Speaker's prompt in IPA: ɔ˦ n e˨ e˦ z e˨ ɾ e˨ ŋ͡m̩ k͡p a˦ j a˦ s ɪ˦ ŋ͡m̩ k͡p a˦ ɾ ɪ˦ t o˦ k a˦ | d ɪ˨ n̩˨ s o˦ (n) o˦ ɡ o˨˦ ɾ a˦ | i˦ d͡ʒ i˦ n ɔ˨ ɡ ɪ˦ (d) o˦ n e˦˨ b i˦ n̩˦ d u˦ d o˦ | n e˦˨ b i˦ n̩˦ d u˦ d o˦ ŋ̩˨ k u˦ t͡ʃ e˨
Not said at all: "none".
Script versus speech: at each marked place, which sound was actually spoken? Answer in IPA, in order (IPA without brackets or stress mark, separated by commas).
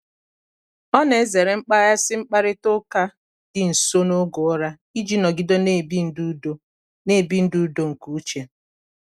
n, d